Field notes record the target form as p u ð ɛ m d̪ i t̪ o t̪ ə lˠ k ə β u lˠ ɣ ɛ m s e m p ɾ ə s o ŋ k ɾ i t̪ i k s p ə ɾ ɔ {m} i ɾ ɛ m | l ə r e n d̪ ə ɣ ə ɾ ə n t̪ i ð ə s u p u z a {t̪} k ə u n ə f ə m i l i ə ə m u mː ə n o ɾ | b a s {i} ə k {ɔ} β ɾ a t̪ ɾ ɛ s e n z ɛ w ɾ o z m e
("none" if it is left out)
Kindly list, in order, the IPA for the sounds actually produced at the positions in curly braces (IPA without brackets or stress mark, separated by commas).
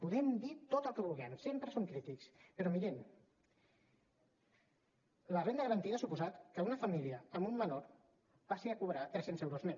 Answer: m, t̪, i, u